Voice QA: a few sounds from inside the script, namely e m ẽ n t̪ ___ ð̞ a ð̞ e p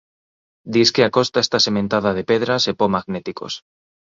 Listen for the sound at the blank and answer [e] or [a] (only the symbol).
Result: a